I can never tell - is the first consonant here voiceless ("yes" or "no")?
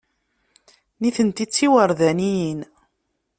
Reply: no